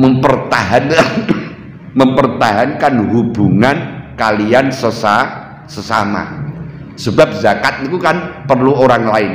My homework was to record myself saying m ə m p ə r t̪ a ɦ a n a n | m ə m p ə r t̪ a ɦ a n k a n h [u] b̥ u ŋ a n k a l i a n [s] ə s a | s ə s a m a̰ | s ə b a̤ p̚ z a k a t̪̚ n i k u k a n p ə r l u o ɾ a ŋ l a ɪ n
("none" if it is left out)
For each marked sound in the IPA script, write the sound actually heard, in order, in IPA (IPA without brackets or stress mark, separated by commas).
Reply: u, s